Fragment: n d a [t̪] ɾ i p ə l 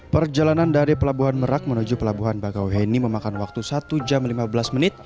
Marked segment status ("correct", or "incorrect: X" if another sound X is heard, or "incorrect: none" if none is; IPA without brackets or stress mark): incorrect: none